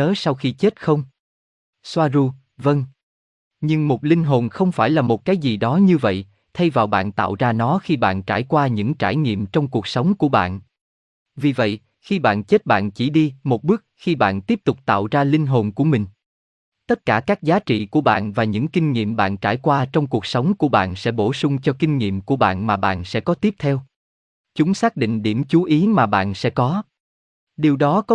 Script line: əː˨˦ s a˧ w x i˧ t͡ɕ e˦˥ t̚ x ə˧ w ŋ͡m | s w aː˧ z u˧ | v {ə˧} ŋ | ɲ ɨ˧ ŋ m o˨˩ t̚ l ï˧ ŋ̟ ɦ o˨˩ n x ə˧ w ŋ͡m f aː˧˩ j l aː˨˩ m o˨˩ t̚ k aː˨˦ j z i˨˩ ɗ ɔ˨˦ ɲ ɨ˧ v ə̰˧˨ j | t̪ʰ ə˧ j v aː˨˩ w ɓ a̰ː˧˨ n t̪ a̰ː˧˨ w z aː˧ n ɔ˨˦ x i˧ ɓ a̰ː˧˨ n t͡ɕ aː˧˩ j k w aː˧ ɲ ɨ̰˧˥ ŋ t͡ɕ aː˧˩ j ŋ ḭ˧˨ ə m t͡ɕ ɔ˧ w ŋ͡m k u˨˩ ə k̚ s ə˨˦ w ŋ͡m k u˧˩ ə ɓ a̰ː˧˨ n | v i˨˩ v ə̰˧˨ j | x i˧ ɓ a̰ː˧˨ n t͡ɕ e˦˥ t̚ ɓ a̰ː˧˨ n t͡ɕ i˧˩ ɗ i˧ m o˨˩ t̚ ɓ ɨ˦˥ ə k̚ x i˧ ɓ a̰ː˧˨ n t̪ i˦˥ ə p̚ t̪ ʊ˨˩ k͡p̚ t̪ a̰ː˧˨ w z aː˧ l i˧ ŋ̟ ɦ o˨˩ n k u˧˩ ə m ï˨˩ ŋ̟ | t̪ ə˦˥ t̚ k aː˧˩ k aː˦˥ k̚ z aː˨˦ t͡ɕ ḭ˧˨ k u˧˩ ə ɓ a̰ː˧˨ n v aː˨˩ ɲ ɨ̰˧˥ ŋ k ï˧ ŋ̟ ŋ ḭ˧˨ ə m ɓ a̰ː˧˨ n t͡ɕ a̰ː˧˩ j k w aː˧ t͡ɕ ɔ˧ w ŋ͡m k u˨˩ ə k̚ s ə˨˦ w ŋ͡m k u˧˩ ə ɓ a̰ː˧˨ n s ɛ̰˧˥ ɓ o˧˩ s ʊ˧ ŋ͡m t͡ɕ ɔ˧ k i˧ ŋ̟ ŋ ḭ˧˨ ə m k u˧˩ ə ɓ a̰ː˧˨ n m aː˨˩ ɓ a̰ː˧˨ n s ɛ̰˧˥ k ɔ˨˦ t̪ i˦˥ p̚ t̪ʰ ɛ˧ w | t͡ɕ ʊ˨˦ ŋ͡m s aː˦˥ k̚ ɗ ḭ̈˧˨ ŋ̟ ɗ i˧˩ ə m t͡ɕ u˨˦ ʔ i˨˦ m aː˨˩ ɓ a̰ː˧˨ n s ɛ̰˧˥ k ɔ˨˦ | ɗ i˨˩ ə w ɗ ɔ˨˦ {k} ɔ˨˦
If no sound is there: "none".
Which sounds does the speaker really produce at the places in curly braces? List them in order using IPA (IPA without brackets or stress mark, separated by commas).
ə˧, k